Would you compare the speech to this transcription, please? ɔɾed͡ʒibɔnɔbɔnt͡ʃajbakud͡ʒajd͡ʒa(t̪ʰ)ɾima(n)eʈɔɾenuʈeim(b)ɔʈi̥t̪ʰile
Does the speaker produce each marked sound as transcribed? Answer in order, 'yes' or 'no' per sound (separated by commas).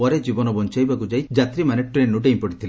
no, yes, no